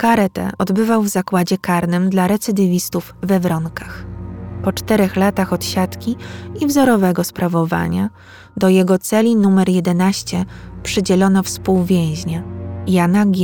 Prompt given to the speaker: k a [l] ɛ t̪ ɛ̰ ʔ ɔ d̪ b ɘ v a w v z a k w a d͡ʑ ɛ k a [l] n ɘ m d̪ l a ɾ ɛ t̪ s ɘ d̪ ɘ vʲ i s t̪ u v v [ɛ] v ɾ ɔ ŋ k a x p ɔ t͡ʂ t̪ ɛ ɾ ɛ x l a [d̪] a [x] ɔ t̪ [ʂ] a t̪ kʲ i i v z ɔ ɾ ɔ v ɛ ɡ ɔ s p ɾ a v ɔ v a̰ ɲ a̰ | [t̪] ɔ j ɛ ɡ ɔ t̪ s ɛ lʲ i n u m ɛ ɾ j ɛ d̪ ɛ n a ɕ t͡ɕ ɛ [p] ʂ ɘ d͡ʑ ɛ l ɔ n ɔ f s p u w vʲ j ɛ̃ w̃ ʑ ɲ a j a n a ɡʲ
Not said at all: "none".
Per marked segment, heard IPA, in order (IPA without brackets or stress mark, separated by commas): ɾ, ɾ, ɛ, t̪, x, ɕ, d̪, p